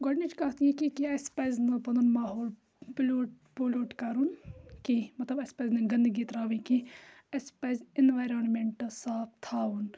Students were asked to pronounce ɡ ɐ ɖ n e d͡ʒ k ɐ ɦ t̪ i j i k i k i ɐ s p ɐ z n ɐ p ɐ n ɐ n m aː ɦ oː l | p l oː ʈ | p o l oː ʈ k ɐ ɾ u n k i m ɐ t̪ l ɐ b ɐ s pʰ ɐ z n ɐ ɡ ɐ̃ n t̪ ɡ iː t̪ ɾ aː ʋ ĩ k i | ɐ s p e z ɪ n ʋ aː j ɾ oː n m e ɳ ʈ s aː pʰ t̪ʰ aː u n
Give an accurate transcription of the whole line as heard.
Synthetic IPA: ɡ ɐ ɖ n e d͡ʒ k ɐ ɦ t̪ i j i k i k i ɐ s p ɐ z n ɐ p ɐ n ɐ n m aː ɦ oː l | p l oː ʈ | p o l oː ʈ k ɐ ɾ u n k i m ɐ t̪ l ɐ b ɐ s p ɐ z n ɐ ɡ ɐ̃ n d̪ ɡ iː t̪ ɾ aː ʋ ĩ k i | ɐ s p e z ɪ n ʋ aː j ɾ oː n m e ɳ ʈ s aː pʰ t̪ʰ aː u n